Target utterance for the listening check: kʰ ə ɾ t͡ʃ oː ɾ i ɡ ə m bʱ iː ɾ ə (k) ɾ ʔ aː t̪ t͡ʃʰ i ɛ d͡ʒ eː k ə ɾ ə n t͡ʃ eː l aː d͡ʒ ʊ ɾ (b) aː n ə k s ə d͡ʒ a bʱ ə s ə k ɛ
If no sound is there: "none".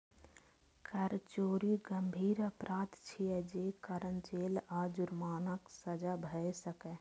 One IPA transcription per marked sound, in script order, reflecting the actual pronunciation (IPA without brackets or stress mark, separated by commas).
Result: p, m